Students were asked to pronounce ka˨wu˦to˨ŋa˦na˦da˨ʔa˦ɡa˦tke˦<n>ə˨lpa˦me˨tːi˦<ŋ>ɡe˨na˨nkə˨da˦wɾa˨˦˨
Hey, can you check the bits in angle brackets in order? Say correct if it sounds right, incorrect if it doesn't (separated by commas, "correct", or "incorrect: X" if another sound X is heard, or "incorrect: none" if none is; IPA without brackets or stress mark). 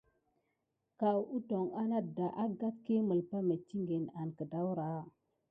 incorrect: m, correct